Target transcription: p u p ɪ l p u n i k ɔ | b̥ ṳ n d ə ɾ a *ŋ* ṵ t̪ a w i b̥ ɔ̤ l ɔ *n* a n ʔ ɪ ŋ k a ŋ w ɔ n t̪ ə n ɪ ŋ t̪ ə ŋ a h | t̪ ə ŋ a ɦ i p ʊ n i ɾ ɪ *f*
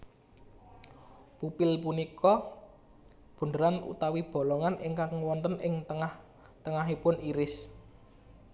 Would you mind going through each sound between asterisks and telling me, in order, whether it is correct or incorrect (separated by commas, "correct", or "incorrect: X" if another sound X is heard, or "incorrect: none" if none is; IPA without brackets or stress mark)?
incorrect: n, incorrect: ŋ, incorrect: s